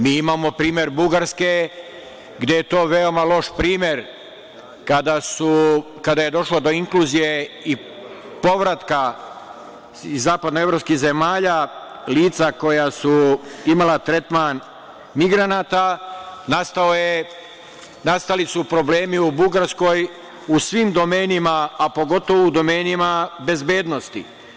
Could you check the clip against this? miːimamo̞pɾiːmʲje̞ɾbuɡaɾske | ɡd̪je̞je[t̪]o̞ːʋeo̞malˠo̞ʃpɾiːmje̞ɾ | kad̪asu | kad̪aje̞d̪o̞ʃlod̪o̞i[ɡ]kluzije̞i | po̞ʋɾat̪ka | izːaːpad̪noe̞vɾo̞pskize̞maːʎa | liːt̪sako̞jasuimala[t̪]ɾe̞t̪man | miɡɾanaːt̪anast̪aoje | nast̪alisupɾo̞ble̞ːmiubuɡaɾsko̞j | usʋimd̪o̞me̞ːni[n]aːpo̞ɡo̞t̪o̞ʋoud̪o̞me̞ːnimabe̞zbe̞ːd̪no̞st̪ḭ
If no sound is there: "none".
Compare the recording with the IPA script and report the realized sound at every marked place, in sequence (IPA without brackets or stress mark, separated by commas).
t̪, ŋ, t̪, m